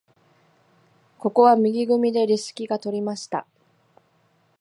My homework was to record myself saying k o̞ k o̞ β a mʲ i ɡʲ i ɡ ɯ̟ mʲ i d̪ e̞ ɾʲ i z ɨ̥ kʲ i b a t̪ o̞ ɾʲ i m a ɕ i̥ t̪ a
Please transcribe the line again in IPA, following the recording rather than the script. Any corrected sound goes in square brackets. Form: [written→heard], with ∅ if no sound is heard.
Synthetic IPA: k o̞ k o̞ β a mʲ i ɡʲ i ɡ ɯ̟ mʲ i d̪ e̞ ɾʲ i [z→s] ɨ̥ kʲ i [b→ɡ] a t̪ o̞ ɾʲ i m a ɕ i̥ t̪ a